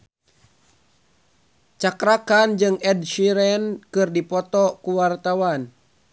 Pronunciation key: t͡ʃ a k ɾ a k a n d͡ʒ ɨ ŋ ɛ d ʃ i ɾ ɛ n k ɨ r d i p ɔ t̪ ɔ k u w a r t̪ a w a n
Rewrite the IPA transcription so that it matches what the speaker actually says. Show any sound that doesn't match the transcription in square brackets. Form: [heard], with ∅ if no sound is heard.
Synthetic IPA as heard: t͡ʃ a k ɾ a k a n d͡ʒ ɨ ŋ ɛ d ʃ i ɾ ɛ n k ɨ r d i p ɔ t̪ ɔ k u w a r t̪ a w a n